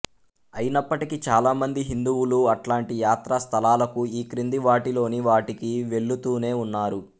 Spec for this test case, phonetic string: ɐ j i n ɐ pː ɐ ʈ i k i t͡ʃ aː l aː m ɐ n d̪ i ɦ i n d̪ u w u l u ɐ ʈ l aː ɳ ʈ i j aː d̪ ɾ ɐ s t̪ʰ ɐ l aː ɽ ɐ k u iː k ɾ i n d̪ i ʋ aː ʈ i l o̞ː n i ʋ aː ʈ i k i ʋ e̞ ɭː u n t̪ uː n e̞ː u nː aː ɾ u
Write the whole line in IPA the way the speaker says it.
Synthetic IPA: ɐ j i n ɐ pː ɐ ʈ i k i t͡ʃ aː l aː m ɐ n d̪ i ɦ i n d̪ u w u l u ɐ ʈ l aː ɳ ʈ i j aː t̪ ɾ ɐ s t̪ʰ ɐ l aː l ɐ k u iː k ɾ i n d̪ i ʋ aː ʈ i l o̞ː n i ʋ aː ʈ i k i ʋ e̞ ɭː u t̪ uː n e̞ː u nː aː ɾ u